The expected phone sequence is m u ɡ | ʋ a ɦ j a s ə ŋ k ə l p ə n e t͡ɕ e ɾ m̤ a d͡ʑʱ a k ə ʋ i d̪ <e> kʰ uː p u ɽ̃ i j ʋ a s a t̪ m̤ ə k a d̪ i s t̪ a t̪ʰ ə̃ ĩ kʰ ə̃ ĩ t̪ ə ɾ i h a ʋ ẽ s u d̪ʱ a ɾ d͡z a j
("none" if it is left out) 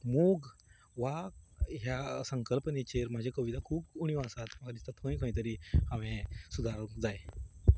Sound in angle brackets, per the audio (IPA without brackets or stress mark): a